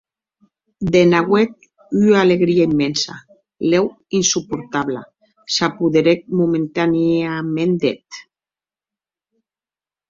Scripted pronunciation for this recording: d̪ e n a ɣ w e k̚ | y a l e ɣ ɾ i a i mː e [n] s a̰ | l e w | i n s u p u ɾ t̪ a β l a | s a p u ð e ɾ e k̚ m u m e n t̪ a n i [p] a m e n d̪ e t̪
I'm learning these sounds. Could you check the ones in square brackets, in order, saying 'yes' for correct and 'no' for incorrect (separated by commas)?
yes, no